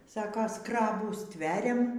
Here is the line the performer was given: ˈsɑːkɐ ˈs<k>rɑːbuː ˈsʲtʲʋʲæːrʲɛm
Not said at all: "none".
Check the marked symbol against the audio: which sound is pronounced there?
k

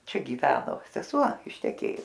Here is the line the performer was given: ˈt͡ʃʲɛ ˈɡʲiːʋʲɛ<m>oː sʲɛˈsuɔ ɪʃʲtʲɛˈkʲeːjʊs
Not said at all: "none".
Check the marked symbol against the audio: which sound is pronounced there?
n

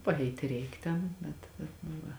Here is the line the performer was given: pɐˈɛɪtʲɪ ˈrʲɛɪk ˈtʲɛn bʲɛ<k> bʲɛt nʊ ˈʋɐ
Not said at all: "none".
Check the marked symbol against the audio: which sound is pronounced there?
t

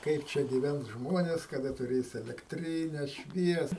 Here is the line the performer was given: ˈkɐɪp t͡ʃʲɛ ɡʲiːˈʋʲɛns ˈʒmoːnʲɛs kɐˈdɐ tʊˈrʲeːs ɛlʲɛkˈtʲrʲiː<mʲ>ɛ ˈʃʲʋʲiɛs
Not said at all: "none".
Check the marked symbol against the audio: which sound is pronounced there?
nʲ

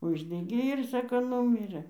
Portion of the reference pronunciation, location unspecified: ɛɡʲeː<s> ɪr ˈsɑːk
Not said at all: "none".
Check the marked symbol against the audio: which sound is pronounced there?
none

